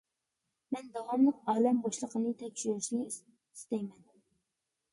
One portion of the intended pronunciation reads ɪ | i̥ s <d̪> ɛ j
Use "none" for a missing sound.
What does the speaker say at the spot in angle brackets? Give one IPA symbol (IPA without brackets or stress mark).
t̪